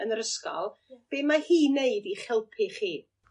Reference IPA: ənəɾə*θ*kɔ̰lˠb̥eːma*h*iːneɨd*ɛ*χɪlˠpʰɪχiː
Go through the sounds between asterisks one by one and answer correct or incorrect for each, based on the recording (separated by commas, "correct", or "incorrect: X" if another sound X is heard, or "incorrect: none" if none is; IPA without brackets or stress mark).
incorrect: s, correct, incorrect: i